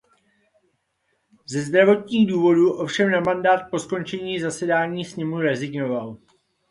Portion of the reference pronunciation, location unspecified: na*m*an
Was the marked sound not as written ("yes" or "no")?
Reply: no